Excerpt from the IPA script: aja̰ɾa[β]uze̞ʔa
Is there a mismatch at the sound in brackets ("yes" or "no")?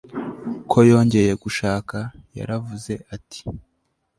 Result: yes